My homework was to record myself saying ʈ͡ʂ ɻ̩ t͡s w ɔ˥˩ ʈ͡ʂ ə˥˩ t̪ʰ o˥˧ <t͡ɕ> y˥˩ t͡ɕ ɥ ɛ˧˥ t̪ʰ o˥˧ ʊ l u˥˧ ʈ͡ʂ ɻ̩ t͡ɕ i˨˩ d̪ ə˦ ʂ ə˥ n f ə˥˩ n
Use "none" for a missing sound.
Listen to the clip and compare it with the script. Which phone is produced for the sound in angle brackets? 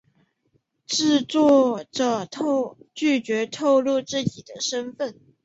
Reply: t͡ɕ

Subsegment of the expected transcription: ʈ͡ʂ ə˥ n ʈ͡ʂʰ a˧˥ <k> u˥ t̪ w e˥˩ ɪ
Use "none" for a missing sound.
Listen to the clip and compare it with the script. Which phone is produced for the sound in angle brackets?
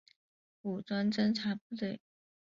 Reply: p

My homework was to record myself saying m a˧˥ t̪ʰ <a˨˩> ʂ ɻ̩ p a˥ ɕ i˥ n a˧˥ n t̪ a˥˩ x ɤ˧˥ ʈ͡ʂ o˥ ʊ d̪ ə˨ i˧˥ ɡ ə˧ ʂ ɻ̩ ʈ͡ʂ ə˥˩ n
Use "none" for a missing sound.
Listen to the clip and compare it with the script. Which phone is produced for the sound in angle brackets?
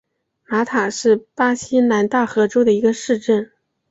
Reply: a˨˩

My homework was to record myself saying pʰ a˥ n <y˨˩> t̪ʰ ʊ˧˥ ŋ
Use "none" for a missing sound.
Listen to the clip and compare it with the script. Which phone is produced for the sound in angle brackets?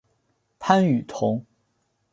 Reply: y˨˩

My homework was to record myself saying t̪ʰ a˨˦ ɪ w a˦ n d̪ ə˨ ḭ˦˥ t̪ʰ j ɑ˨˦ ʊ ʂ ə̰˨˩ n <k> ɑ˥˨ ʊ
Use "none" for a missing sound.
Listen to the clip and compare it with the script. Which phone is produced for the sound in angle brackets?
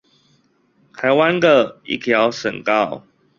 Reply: k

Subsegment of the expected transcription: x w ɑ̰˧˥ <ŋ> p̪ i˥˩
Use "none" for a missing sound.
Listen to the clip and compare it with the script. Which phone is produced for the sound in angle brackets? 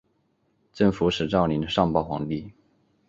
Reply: ŋ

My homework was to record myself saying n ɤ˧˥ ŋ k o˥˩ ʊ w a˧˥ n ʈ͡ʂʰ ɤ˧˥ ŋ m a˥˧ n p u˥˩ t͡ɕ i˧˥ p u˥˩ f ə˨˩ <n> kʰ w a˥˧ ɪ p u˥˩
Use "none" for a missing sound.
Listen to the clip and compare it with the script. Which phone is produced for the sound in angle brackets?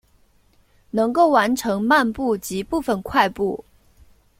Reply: n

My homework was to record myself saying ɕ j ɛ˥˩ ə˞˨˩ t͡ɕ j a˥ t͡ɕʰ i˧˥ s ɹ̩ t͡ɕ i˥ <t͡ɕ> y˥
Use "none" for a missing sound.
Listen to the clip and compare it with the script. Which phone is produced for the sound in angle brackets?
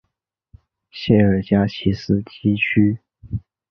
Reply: t͡ɕʰ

